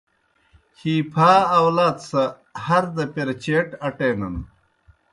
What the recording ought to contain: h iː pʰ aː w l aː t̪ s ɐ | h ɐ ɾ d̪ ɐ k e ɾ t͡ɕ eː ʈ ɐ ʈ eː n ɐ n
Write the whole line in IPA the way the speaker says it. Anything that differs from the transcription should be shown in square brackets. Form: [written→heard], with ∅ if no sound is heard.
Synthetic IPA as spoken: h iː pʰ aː w l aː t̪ s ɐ | h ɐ ɾ d̪ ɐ [k→p] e ɾ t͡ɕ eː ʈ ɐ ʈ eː n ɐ n